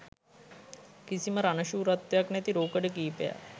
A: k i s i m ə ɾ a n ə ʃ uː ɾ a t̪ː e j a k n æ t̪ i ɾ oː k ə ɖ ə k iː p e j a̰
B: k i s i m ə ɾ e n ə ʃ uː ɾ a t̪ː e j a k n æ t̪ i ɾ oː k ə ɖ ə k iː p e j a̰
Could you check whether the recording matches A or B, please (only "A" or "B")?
A